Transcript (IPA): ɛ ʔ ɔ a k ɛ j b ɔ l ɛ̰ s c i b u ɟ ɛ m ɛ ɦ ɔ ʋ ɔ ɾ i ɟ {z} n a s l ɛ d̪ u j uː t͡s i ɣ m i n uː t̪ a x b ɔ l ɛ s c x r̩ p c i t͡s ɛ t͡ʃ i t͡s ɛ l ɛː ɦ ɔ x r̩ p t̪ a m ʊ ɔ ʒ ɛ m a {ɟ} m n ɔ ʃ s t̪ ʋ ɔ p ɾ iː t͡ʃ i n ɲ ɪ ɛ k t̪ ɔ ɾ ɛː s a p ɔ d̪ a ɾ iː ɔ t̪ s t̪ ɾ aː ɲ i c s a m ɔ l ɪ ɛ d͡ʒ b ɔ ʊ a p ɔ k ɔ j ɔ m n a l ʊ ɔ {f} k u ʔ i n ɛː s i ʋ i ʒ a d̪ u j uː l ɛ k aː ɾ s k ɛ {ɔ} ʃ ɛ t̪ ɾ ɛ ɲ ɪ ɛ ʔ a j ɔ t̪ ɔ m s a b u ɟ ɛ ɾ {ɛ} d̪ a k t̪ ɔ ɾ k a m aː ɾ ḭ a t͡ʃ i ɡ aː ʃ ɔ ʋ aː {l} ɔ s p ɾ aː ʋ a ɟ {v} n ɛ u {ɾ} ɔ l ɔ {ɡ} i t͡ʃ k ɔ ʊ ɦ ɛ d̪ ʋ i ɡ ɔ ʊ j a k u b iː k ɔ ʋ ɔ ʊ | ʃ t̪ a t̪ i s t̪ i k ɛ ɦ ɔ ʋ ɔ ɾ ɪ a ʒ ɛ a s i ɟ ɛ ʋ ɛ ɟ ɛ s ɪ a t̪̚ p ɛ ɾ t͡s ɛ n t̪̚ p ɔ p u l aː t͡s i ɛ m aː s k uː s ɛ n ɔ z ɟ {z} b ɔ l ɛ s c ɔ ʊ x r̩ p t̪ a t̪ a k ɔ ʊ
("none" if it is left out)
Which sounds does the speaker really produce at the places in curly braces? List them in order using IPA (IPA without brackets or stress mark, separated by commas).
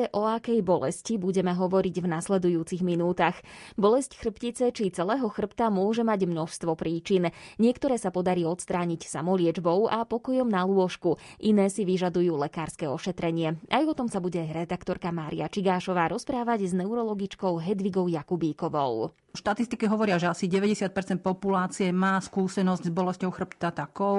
v, ɟ, ʃ, ɔ, ɛ, ɾ, z, ɾ, ɡ, z